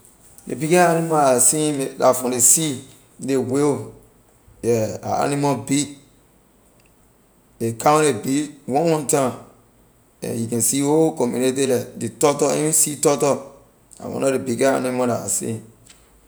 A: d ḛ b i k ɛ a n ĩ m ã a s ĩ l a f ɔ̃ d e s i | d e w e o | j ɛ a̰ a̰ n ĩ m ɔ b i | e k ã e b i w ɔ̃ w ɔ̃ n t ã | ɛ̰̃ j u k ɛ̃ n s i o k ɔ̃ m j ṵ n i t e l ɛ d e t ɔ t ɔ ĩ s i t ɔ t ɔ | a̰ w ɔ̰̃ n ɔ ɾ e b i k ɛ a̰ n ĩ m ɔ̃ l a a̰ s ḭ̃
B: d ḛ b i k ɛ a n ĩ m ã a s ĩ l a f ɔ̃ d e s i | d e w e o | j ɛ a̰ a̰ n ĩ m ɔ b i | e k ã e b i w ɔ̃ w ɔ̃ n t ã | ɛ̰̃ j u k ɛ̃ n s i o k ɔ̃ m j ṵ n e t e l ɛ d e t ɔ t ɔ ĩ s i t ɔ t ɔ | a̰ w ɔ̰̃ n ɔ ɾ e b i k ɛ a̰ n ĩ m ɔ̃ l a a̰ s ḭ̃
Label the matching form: B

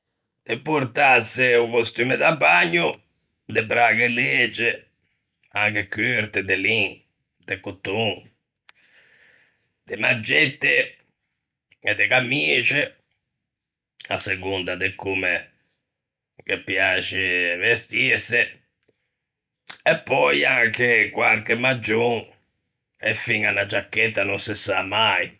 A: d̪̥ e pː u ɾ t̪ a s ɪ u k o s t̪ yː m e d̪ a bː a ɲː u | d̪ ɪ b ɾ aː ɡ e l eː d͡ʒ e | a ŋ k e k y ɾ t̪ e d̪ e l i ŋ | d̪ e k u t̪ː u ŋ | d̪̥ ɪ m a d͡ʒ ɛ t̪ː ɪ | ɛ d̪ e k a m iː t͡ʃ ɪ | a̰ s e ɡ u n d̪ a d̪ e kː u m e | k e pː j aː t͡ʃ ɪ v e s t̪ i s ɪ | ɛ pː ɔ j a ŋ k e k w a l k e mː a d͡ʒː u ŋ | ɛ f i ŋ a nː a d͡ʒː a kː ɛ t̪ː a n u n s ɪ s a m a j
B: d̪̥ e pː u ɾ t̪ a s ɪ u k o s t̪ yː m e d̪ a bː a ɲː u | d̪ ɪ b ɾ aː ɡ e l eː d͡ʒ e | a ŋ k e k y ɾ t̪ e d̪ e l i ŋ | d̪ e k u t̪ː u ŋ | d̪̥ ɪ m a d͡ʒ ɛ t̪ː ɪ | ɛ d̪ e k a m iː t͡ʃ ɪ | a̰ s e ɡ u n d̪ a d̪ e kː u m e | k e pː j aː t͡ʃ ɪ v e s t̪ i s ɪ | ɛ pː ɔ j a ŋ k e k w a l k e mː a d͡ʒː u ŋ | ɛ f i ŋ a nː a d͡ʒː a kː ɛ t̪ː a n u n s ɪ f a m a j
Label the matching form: A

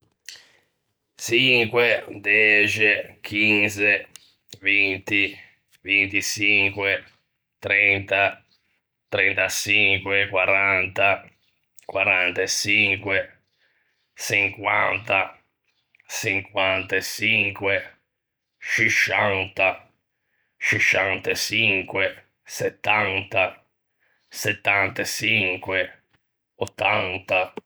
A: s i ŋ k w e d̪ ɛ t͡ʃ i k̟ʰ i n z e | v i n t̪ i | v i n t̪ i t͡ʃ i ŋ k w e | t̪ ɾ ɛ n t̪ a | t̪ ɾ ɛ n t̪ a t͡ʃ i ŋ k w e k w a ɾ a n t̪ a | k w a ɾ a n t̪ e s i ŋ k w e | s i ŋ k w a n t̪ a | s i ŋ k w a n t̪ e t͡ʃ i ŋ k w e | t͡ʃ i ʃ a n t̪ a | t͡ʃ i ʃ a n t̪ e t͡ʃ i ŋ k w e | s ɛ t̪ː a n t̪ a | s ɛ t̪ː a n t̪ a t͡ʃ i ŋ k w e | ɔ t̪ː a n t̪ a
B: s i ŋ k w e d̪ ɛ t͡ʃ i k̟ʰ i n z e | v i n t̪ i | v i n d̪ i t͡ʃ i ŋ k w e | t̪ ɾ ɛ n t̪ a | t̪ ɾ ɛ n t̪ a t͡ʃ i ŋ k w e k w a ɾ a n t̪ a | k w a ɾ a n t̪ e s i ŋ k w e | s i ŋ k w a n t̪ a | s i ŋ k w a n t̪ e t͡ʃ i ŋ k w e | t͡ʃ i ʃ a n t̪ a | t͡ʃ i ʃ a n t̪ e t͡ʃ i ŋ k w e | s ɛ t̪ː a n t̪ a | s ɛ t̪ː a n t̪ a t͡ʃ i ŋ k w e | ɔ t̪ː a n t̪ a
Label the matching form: A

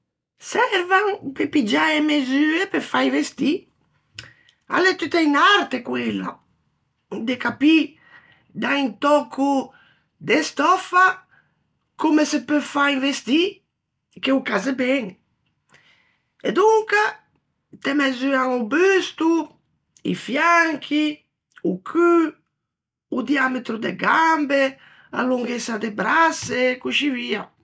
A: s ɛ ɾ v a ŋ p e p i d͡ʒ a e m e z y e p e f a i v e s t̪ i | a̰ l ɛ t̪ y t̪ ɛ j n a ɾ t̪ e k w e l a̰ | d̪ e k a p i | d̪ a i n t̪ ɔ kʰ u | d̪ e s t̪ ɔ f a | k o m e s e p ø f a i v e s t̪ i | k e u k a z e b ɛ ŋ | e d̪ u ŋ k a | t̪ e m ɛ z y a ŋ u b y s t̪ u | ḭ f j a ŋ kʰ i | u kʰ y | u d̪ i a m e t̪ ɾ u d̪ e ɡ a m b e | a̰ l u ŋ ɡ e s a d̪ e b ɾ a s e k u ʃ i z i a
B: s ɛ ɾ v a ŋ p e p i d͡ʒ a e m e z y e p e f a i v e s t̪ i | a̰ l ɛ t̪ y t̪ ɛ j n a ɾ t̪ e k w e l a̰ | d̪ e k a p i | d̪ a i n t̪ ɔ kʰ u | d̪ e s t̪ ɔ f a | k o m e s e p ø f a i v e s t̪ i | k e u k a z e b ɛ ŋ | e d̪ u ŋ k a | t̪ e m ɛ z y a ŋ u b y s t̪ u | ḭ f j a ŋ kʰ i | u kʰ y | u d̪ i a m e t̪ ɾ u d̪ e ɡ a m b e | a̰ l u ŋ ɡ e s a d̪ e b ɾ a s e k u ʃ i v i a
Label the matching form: B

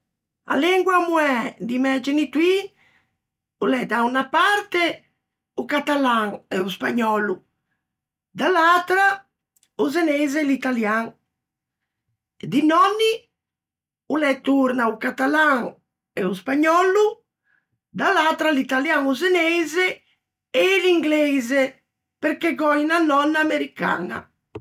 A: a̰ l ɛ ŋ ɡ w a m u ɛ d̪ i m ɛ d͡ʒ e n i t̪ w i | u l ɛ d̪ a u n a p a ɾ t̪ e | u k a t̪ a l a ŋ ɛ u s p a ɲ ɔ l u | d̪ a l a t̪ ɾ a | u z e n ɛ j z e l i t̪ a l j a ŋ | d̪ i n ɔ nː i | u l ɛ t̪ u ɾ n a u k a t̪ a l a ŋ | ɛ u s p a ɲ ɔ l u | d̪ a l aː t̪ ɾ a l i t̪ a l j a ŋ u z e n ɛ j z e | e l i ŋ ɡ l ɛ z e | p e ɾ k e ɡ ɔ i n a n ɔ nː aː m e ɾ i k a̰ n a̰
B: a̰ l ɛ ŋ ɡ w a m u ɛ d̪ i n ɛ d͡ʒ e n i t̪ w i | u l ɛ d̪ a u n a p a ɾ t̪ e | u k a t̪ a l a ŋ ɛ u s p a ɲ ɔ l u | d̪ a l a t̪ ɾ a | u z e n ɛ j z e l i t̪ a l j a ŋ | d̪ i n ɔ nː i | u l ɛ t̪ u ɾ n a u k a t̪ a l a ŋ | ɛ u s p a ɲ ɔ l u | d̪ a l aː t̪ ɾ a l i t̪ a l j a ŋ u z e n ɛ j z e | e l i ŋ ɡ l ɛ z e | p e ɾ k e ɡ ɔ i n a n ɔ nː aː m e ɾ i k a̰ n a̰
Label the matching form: A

